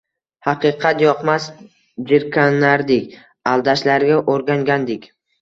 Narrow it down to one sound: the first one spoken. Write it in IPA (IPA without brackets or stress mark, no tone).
h